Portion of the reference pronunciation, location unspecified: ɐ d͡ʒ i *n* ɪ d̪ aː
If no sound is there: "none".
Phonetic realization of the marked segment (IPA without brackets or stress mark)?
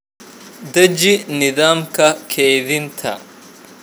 n